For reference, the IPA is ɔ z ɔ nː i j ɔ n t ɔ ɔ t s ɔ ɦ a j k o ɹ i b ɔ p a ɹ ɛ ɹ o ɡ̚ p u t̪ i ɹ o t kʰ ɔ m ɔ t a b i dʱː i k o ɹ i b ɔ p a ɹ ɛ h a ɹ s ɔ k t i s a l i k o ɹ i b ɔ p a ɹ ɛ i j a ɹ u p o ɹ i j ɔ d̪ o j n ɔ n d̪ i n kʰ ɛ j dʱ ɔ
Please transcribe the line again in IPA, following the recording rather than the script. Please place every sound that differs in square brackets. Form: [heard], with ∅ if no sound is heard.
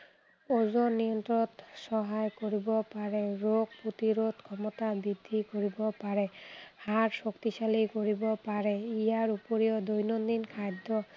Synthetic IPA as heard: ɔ z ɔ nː i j ɔ n t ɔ ɔ t s ɔ ɦ a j k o ɹ i b ɔ p a ɹ ɛ ɹ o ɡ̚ p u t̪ i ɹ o t kʰ ɔ m ɔ t a b i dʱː i k o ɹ i b ɔ p a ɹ ɛ h a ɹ s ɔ k t i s a l i k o ɹ i b ɔ p a ɹ ɛ i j a ɹ u p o ɹ i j ɔ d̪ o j n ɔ n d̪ i n kʰ [a] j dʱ ɔ